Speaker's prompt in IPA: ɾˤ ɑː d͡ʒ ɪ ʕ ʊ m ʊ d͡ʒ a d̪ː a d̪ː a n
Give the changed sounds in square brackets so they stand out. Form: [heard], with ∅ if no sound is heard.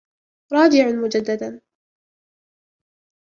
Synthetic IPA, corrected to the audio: ɾˤ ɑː d͡ʒ ɪ ʕ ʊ m ʊ d͡ʒ a d̪ː a [d̪] a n